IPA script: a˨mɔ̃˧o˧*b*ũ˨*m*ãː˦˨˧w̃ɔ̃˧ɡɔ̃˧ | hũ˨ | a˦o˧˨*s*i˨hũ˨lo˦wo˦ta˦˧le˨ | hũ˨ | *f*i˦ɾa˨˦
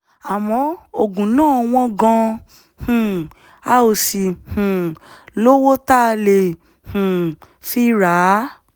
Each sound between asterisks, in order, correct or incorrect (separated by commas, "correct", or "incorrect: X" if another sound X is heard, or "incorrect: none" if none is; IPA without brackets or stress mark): incorrect: ɡ, incorrect: n, correct, correct